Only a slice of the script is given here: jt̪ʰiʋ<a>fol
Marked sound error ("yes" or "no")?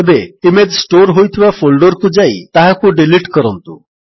no